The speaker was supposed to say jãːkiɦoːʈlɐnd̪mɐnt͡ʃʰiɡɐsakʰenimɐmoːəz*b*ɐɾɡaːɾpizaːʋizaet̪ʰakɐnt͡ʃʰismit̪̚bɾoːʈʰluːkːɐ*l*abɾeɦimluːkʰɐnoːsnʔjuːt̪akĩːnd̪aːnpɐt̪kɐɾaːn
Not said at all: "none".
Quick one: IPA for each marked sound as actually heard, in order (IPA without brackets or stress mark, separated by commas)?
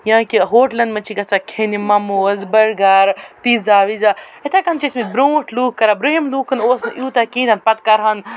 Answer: b, ɾ